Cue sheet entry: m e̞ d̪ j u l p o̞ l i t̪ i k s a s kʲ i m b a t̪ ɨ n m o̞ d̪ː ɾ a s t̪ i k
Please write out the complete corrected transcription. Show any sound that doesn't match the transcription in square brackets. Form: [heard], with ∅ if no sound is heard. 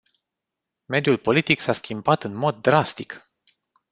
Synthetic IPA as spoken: m e̞ d̪ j u l p o̞ l i t̪ i k s a s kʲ i m b a t̪ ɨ n m o̞ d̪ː ɾ a s t̪ i k